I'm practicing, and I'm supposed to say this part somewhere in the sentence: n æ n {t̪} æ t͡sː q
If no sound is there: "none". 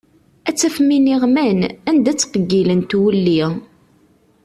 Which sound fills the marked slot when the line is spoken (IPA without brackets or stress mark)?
d̪